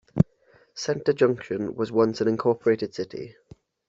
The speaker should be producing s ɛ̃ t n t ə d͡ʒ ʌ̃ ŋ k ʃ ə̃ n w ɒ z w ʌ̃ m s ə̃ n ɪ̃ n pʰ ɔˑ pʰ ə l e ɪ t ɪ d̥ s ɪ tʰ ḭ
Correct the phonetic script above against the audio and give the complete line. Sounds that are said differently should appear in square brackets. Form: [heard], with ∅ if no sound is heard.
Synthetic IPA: s ɛ̃ [∅] n t ə d͡ʒ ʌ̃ ŋ k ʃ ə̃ n w ɒ z w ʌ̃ [n] s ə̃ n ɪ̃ n [kʰ] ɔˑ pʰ ə [ɹ] e ɪ t ɪ d̥ s ɪ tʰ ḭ